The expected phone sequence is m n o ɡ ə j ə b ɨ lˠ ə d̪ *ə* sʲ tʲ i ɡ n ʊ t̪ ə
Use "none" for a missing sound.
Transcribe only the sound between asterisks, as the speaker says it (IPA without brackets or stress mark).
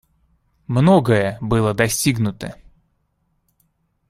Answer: ɐ